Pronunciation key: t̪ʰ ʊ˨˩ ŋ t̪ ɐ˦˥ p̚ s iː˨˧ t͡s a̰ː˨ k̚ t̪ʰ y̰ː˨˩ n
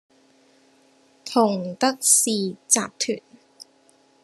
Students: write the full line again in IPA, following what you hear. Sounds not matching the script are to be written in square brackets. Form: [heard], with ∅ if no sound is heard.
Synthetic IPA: t̪ʰ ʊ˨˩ ŋ t̪ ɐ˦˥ [k̚] s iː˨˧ t͡s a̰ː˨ [p̚] t̪ʰ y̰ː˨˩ n